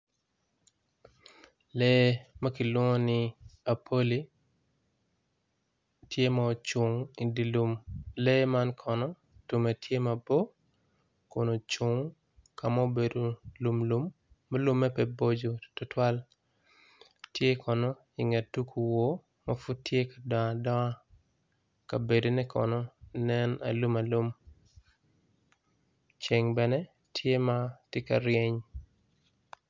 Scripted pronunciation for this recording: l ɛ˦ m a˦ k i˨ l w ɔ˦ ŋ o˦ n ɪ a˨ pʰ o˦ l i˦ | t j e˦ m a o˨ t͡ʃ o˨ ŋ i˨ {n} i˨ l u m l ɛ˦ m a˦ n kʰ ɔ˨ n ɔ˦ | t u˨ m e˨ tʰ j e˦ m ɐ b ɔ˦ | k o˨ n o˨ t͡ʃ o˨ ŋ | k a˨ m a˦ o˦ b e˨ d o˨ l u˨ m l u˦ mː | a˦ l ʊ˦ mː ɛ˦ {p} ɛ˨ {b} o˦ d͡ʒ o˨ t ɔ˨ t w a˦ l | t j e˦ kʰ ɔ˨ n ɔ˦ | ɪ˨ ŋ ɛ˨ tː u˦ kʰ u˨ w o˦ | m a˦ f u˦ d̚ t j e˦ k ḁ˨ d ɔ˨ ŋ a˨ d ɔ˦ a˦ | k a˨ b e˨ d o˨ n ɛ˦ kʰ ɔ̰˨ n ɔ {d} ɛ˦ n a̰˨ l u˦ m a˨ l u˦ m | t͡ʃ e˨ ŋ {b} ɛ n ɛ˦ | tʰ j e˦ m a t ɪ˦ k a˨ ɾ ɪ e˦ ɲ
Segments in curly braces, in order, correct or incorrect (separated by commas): incorrect, correct, correct, incorrect, correct